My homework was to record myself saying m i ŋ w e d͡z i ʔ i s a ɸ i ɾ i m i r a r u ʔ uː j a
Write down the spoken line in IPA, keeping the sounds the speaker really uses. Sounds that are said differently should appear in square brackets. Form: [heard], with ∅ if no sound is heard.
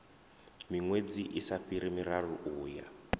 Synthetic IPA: m i ŋ w e d͡z i ʔ i s a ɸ i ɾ i m i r a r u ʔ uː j a